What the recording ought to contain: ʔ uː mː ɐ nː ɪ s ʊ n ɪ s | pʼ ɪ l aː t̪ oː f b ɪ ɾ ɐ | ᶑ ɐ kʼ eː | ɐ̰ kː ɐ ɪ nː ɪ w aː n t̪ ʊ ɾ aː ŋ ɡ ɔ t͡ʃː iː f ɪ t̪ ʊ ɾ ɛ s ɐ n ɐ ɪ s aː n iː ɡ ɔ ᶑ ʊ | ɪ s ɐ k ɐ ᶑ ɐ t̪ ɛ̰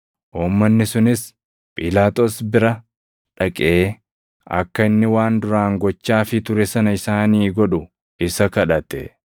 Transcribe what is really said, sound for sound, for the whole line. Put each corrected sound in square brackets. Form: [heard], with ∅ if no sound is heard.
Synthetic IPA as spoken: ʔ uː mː ɐ nː ɪ s ʊ n ɪ s | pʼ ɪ l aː t̪ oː [s] b ɪ ɾ ɐ | ᶑ ɐ kʼ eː | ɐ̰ kː ɐ ɪ nː ɪ w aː n [d̪] ʊ ɾ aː ŋ ɡ ɔ t͡ʃː [aː] f ɪ t̪ ʊ ɾ ɛ s ɐ n ɐ ɪ s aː n iː ɡ ɔ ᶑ ʊ | ɪ s ɐ k ɐ ᶑ ɐ t̪ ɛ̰